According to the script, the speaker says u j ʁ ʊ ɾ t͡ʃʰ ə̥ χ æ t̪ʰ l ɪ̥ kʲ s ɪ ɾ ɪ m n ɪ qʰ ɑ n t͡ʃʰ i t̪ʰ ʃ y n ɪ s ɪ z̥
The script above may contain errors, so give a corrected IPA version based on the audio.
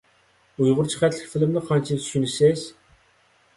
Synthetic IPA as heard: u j ʁ ʊ ɾ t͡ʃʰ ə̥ χ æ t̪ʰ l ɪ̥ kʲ f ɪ l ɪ m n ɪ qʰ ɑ n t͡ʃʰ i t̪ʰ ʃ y n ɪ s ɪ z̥